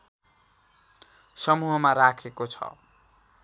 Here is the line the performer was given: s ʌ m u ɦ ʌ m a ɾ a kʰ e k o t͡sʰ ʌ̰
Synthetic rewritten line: s ʌ m u ɦ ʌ m a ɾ a kʰ e k o t͡sʰ ʌ̰